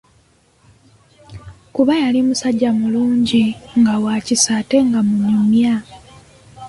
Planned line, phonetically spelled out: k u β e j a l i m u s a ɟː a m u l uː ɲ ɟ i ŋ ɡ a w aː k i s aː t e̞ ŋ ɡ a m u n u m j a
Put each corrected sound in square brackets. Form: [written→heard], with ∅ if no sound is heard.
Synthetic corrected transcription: k u β [e→a] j a l i m u s a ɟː a m u l uː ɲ ɟ i ŋ ɡ a w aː [k→c] i s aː t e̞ ŋ ɡ a m u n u m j a